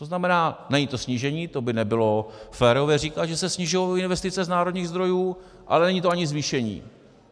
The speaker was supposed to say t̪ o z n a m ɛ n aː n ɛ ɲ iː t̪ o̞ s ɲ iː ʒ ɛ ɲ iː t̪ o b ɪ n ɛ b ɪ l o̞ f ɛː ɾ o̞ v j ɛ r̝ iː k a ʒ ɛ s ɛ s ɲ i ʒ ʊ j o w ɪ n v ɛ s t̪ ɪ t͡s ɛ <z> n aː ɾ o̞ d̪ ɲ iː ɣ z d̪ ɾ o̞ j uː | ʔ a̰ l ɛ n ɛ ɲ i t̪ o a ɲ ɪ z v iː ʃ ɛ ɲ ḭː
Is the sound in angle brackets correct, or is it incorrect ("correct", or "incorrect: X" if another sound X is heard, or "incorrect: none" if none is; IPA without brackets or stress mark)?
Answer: correct